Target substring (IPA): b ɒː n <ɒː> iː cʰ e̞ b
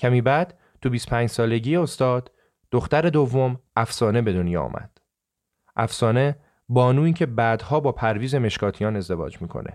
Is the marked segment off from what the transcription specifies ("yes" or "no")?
yes